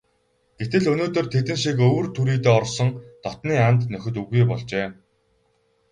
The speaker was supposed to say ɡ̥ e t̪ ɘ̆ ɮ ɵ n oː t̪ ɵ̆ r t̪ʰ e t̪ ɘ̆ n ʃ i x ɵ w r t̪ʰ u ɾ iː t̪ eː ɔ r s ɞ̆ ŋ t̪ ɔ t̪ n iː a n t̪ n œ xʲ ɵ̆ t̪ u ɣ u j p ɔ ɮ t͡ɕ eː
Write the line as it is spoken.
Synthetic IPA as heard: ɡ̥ e t̪ ɘ̆ ɮ ɵ n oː t̪ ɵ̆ r t̪ʰ e t̪ ɘ̆ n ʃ i k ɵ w r t̪ʰ u ɾ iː t̪ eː ɔ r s ɞ̆ ŋ t̪ ɔ t̪ n iː a n t̪ n œ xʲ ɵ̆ t̪ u ɣ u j p ɔ ɮ t͡ɕ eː